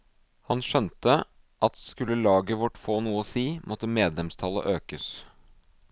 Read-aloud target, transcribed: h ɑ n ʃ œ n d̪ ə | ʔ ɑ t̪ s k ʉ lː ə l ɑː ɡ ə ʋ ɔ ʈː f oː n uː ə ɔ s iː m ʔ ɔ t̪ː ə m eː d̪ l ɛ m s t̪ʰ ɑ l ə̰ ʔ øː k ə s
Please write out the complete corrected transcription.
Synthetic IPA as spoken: h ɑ n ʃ œ n t̪ ə | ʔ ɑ t̪ s k ʉ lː ə l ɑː ɡ ə ʋ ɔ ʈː f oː n uː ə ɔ s iː m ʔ ɔ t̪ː ə m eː d̪ l ɛ m s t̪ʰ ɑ l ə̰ ʔ øː k ə s